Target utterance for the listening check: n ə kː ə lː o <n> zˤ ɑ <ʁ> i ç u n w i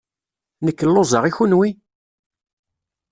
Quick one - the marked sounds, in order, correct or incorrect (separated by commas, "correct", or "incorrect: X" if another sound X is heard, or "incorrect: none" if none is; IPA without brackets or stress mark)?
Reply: incorrect: none, correct